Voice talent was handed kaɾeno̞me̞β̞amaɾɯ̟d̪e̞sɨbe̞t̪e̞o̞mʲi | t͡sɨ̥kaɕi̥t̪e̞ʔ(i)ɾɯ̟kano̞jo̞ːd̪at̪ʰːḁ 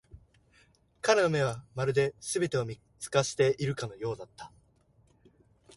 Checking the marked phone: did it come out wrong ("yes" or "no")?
no